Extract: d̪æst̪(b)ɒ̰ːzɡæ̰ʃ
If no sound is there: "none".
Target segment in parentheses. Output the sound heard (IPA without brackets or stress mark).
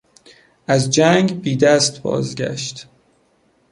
b